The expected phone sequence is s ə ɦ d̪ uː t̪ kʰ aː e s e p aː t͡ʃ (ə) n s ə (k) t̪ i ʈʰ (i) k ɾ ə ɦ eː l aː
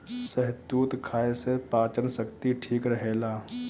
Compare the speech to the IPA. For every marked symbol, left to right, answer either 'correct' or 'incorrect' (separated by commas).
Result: correct, correct, incorrect